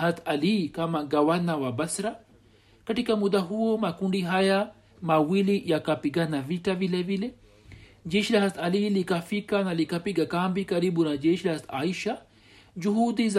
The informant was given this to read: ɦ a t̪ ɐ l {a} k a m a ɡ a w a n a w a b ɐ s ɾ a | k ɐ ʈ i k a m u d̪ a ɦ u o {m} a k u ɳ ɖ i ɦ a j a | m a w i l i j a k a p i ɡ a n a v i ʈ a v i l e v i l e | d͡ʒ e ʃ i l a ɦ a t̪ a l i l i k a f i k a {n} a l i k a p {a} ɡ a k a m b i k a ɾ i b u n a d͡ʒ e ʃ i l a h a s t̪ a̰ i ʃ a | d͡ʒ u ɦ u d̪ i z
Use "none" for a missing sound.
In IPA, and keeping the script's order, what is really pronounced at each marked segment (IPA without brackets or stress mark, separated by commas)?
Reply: i, m, n, i